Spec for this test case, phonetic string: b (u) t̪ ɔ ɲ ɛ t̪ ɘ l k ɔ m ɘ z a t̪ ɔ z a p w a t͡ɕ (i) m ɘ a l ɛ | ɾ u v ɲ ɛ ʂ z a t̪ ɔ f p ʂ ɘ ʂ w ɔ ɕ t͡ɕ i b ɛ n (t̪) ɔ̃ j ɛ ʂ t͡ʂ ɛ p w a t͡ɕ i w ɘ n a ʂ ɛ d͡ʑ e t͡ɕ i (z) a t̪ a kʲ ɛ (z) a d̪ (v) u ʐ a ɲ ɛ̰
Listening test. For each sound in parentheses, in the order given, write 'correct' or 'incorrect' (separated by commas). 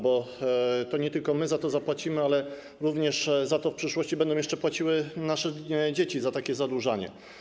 incorrect, correct, incorrect, correct, correct, incorrect